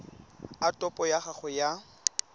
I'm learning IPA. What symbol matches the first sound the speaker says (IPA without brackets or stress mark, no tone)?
a